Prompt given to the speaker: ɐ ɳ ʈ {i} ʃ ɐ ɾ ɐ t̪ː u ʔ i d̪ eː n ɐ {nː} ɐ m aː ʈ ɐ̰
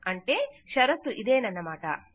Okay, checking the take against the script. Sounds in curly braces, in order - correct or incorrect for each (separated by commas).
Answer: incorrect, correct